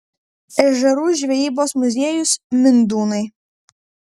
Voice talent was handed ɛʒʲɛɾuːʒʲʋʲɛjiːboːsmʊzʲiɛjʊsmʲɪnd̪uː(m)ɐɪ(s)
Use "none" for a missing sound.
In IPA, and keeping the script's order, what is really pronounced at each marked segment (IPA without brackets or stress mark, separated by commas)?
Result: n, none